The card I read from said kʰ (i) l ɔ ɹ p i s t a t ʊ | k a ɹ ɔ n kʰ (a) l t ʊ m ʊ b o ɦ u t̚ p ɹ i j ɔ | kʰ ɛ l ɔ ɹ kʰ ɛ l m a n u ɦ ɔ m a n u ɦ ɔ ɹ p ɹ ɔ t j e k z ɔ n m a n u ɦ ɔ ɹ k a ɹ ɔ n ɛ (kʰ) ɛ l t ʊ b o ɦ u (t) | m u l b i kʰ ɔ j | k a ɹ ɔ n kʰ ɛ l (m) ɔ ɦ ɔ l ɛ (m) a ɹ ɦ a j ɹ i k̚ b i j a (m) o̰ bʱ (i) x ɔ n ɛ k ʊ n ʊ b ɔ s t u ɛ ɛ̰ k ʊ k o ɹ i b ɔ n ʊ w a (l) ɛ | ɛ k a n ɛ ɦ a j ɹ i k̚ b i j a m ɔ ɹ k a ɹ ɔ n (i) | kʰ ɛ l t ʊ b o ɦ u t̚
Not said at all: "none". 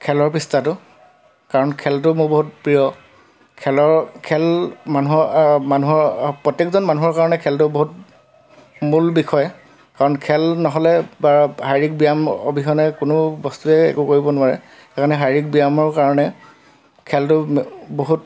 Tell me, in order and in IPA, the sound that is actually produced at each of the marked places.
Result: ɛ, ɛ, kʰ, t, n, b, m, i, ɹ, ɛ

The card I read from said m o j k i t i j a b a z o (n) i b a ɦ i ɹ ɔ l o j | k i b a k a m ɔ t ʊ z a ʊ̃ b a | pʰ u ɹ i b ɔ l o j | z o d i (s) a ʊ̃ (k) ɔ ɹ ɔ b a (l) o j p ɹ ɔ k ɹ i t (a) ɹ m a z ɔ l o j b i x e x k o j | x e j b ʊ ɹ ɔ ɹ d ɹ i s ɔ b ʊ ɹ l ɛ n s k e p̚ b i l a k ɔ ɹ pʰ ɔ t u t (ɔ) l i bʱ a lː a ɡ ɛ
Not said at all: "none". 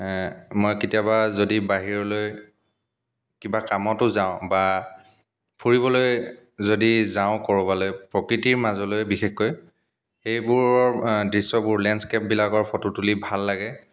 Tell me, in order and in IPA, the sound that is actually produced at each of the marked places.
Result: d, z, k, l, i, u

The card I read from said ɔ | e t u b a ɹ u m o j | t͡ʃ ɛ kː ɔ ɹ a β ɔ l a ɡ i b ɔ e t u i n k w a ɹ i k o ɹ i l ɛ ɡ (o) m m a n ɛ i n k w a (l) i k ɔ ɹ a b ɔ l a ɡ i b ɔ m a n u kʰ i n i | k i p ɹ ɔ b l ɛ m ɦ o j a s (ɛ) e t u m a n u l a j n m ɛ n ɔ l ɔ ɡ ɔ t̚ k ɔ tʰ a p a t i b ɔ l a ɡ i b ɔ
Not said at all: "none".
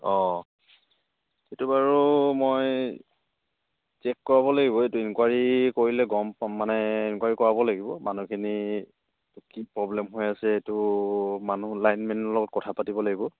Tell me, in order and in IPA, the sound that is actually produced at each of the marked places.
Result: ɔ, ɹ, ɛ

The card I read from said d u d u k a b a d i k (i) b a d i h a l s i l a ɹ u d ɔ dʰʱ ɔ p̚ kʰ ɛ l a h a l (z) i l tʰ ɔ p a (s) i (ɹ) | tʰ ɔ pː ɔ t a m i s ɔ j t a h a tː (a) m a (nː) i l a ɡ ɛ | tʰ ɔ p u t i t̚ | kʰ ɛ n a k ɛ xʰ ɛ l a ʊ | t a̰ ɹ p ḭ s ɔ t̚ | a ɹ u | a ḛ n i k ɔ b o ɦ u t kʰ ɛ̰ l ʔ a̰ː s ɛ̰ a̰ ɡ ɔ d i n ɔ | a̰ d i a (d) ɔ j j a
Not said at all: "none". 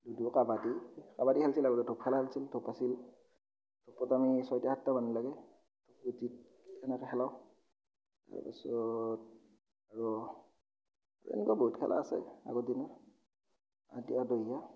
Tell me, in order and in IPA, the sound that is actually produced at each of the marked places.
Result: a, s, s, l, a, n, d

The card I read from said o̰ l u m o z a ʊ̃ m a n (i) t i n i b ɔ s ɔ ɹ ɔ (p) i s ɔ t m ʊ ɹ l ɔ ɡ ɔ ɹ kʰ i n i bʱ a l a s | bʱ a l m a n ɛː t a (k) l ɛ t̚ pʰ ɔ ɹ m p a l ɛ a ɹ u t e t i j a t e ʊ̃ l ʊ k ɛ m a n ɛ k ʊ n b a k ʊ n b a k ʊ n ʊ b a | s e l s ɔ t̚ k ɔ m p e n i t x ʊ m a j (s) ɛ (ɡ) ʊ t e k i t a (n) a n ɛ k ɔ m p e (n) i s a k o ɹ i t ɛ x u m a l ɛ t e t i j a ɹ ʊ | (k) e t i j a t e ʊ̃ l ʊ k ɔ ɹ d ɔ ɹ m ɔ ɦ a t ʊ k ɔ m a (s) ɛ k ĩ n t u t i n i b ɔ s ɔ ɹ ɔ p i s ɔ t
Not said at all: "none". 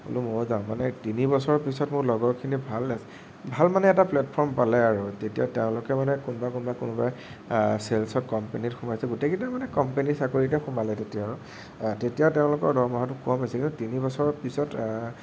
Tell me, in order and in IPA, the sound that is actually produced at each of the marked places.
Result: ɛ, p, p, s, ɡ, m, n, t, s

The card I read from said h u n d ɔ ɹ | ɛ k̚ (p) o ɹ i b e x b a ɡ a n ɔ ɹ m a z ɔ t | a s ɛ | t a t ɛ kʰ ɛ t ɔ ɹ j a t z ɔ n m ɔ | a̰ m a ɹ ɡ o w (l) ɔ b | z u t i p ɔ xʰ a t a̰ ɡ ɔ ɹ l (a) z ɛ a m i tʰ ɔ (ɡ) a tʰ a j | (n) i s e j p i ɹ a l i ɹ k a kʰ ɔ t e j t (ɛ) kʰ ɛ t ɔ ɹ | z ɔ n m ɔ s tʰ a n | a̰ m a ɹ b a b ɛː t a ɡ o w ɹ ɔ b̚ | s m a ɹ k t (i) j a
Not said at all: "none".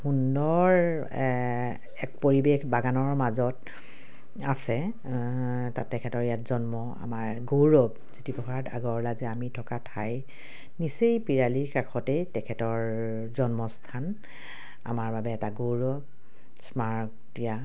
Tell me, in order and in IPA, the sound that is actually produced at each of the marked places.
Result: p, ɹ, a, k, n, ɛ, i

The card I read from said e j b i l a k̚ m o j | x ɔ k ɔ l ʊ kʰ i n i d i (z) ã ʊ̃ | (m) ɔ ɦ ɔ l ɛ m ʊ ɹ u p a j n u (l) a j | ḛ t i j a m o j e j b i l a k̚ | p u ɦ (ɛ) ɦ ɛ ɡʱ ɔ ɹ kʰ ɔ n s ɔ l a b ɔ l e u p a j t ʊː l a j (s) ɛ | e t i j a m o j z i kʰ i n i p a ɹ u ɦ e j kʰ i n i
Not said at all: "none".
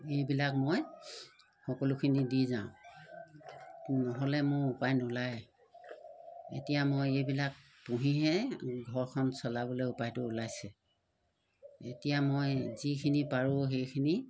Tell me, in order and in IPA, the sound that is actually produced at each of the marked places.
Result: z, n, l, i, s

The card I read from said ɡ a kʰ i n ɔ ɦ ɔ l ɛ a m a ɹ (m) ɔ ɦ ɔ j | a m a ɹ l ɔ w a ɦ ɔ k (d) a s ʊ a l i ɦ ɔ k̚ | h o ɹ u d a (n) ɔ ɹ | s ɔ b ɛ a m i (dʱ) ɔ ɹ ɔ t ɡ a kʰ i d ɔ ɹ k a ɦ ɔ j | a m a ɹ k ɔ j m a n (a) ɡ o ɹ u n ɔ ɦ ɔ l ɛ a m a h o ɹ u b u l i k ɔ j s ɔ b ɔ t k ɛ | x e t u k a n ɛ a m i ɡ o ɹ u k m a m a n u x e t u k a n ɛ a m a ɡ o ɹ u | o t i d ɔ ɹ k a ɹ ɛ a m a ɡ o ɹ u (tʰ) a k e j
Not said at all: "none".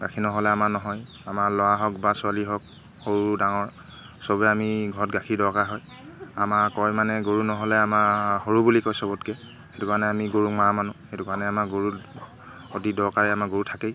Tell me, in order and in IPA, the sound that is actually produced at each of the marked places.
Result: n, b, ŋ, ɡʱ, ɛ, tʰ

